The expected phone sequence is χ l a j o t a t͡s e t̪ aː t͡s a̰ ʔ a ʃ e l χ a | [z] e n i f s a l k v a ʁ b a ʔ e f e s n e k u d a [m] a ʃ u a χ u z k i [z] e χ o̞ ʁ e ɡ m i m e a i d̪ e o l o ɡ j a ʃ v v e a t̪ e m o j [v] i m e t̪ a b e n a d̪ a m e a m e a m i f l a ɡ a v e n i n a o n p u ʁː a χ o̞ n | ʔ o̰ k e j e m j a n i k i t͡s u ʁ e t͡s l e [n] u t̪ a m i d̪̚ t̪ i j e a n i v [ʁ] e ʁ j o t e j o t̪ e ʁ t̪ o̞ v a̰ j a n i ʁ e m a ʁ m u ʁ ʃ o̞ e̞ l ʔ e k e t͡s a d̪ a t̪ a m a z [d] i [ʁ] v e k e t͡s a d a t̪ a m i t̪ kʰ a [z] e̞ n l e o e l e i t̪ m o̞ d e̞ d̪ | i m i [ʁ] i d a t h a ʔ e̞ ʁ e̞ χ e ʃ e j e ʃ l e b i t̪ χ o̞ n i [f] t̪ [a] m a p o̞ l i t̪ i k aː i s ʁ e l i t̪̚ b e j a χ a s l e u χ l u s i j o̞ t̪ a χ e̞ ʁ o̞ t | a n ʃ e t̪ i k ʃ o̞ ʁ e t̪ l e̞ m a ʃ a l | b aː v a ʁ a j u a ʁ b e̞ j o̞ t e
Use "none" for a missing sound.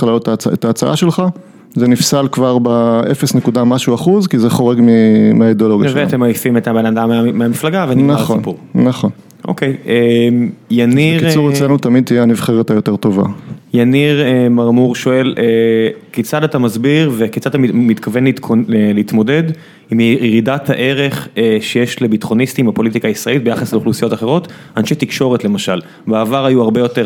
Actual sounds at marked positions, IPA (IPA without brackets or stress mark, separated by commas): z, m, z, f, n, χ, b, ʁ, v, ʁ, s, i